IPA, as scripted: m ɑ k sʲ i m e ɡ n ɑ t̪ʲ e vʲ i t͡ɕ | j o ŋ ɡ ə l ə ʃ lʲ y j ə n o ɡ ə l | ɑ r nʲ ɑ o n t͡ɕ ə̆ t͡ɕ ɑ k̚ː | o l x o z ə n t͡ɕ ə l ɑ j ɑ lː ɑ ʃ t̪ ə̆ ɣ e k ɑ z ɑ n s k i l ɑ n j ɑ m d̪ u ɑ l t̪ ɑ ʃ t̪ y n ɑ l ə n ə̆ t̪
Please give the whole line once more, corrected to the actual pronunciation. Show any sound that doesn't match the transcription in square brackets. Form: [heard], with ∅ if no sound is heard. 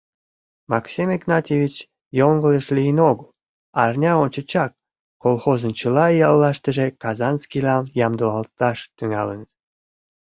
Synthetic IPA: m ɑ k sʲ i m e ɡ n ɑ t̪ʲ e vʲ i t͡ɕ | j o ŋ ɡ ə l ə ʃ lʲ [i] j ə n o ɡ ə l | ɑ r nʲ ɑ o n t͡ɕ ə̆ t͡ɕ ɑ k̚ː | o l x o z ə n t͡ɕ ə l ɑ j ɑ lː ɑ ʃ t̪ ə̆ [ʒ] e k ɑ z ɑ n s k i l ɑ n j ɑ m d̪ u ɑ l t̪ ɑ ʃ t̪ y [ŋ] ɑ l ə n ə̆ t̪